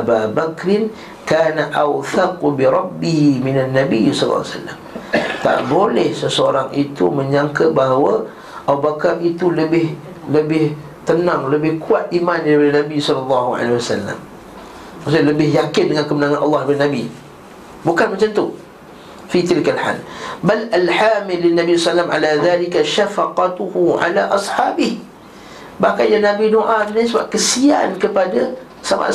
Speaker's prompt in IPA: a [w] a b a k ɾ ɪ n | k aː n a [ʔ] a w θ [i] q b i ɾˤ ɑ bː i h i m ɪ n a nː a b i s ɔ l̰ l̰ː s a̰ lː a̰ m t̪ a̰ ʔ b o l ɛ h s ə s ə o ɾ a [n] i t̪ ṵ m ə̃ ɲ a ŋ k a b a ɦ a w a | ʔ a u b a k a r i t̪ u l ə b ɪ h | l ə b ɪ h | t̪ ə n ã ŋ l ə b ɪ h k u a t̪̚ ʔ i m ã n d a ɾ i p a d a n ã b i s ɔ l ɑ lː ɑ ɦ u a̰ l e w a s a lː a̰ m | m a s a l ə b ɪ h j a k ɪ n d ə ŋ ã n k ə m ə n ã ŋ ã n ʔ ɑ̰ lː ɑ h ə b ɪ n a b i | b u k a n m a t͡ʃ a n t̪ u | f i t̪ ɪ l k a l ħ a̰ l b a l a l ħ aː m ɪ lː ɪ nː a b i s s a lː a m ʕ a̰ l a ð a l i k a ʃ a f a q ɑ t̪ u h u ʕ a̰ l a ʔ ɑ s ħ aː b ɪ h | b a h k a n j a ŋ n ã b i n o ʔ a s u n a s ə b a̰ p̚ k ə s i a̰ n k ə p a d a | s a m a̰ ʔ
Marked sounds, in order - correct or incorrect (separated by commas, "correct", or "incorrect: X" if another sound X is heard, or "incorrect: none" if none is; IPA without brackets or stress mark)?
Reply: incorrect: b, correct, incorrect: a, incorrect: ŋ